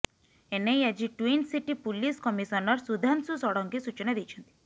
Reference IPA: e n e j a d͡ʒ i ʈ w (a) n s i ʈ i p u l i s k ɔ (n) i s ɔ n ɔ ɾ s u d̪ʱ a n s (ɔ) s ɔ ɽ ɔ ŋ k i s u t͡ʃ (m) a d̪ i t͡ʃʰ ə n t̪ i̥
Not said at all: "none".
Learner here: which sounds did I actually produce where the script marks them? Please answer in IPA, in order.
i, m, u, n

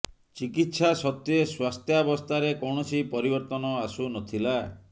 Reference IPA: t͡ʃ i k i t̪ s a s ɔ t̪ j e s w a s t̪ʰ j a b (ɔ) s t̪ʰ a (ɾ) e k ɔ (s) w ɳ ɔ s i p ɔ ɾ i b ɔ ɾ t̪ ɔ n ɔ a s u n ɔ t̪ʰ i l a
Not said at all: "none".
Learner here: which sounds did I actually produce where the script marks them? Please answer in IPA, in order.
ɔ, ɾ, none

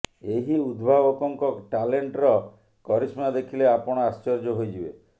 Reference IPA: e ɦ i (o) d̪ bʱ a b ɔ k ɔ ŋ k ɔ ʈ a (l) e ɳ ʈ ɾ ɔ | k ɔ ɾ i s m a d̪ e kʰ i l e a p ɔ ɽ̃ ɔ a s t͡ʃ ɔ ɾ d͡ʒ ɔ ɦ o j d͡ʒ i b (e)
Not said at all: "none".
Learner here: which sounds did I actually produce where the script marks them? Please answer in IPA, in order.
u, l, e

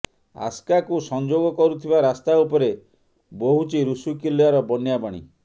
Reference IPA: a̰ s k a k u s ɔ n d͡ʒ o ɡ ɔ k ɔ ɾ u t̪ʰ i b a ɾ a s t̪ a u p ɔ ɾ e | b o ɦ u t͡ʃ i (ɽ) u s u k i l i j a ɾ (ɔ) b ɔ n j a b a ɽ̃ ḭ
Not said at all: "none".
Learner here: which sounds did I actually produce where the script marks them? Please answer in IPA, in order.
ɾ, ɔ

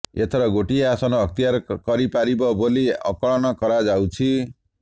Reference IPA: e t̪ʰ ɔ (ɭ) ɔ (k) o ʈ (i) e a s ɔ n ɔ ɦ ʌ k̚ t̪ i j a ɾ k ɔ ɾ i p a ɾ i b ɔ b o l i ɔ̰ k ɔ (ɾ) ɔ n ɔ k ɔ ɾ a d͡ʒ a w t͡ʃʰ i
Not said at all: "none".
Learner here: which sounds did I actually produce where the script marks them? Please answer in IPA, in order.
ɾ, ɡ, i, ɭ

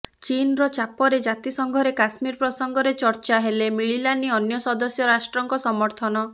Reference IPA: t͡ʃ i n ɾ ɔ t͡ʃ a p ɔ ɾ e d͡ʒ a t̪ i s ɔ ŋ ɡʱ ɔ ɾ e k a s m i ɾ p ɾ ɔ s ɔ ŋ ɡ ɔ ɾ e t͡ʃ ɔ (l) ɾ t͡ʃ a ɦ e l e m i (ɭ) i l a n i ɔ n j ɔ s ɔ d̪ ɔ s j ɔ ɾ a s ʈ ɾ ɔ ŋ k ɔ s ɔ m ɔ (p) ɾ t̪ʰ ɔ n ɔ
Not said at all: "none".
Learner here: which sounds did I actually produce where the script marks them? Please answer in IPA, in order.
none, ɭ, none

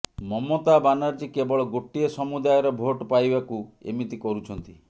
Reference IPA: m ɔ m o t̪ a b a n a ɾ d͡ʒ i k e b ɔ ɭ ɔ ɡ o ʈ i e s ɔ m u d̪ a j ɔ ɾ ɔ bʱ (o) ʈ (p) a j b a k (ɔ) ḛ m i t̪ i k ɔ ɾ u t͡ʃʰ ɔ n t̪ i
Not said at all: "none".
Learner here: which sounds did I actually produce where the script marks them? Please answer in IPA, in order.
o, p, u

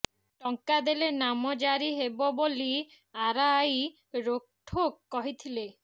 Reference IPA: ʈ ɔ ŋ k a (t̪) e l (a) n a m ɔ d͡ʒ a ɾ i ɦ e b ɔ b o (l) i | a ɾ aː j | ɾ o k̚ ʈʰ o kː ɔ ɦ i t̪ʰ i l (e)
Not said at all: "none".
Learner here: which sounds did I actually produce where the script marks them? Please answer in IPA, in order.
d̪, e, l, e

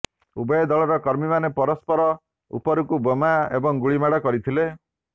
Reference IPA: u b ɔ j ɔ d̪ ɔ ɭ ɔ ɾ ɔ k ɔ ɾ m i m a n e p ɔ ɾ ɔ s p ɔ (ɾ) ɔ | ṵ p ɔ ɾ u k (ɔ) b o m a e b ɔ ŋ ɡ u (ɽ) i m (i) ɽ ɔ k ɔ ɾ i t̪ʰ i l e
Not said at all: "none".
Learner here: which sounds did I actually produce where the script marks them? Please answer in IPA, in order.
ɾ, u, ɭ, a

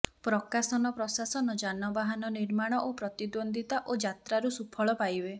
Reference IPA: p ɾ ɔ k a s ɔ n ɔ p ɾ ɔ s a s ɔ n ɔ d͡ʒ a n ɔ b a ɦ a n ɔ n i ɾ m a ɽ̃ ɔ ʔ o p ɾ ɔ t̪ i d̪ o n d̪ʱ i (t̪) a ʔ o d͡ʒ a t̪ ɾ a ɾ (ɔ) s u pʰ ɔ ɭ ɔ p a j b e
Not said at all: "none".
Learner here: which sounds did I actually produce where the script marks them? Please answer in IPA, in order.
t̪, u

